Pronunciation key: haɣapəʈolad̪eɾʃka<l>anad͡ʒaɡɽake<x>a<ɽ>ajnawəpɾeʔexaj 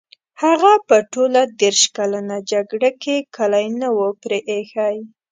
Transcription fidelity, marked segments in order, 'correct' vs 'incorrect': correct, incorrect: k, incorrect: l

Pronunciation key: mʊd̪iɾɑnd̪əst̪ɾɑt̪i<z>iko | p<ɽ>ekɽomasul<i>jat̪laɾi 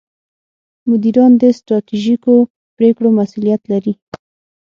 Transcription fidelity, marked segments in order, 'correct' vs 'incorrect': incorrect: ʒ, incorrect: ɾ, correct

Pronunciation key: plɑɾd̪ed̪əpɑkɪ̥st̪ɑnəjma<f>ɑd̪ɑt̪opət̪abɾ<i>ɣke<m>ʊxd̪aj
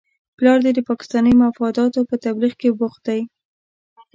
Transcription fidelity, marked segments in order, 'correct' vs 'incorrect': correct, correct, incorrect: b

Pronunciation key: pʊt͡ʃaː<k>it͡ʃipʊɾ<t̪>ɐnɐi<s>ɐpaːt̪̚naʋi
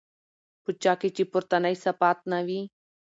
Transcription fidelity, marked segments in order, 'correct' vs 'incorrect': correct, correct, correct

